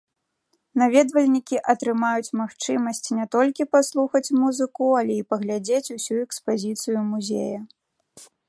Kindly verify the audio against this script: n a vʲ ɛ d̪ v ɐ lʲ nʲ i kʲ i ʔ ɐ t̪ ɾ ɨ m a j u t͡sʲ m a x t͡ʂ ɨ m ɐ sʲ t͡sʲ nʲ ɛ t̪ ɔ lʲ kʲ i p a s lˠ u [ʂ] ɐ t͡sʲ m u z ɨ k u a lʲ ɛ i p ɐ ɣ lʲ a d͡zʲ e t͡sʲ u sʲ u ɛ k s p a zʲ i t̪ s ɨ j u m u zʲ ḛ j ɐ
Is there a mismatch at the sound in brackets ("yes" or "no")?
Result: yes